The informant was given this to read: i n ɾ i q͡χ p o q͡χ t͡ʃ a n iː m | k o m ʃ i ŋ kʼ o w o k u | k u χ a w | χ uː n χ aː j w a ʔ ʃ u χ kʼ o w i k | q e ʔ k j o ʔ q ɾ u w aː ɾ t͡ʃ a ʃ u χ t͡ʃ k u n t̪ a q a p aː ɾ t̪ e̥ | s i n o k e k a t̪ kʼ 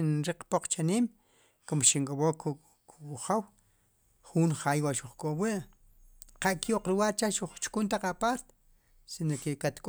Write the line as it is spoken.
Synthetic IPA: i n ɾ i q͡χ p o q͡χ t͡ʃ a n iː m | k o m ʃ i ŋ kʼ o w o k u | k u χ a w | χ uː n χ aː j w a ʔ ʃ u χ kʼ o w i ʔ | q a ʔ k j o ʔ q ɾ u w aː ɾ t͡ʃ a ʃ u χ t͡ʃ k u n t̪ a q a p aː ɾ t̪ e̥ | s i n o k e k a t̪ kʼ